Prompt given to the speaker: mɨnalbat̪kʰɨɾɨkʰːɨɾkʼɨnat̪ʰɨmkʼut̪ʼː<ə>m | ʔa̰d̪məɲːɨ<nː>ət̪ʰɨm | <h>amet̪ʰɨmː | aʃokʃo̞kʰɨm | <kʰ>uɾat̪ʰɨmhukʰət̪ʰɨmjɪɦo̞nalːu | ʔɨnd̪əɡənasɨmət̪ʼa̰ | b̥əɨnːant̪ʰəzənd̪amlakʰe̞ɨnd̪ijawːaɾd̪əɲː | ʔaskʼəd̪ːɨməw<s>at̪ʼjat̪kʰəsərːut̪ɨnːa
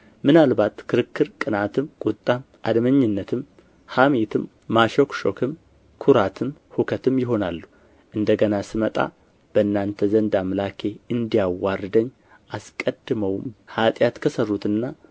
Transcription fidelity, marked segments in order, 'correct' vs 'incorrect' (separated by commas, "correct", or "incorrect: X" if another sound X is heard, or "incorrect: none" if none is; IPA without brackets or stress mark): incorrect: a, correct, correct, correct, incorrect: h